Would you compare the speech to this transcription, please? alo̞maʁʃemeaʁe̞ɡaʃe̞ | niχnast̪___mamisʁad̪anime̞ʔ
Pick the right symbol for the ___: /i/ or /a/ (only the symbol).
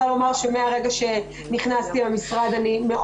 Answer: i